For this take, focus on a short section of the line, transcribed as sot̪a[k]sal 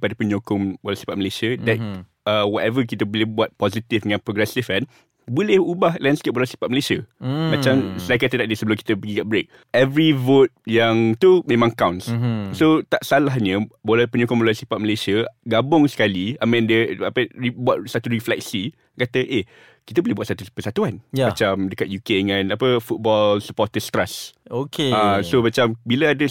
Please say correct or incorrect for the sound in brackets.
incorrect